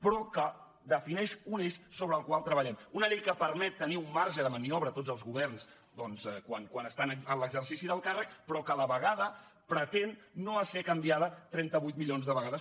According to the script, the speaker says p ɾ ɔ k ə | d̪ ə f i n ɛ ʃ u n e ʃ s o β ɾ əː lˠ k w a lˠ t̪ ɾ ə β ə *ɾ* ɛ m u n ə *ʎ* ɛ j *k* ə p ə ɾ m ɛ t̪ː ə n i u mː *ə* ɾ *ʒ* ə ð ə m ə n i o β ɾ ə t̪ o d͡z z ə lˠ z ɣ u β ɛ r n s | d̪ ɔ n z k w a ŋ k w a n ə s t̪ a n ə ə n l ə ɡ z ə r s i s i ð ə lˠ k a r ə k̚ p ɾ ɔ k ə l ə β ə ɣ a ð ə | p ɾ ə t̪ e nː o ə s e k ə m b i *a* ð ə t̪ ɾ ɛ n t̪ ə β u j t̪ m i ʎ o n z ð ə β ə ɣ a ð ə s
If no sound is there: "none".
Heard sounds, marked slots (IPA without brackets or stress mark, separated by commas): ʎ, ʎ, k, a, ʒ, a